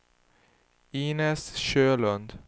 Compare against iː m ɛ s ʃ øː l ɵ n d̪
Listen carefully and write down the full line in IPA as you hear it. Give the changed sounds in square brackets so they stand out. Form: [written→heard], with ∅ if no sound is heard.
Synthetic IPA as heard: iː [m→n] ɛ s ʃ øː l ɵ n d̪